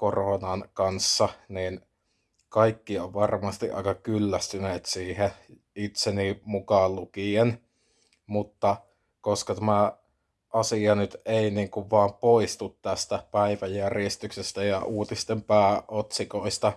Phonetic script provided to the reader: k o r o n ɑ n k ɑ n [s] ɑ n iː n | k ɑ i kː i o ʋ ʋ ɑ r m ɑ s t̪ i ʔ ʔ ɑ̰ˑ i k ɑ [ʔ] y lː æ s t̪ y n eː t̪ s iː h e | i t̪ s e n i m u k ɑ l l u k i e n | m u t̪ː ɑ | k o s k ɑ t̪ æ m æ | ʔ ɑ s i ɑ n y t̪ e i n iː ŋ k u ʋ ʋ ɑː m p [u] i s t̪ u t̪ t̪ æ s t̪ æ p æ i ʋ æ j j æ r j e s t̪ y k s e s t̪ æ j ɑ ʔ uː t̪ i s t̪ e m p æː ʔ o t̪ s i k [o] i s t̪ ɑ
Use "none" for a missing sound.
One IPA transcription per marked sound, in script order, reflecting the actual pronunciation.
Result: sː, k, o, o

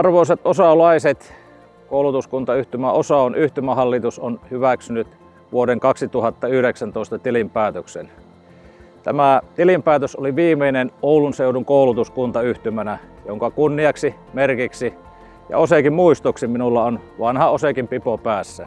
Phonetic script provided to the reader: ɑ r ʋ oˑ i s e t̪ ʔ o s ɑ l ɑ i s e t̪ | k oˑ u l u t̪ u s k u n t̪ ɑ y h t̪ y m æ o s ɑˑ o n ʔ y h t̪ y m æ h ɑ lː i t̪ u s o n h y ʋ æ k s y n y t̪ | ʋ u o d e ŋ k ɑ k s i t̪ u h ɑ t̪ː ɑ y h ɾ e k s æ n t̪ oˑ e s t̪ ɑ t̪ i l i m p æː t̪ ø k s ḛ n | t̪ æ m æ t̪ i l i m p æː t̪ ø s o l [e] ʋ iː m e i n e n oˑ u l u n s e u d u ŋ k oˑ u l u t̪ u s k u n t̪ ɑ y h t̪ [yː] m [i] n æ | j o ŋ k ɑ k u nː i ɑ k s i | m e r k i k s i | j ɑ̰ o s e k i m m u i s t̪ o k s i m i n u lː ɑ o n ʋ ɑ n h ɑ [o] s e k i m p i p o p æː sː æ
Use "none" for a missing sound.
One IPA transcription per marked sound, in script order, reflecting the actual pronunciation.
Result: i, y, æ, o

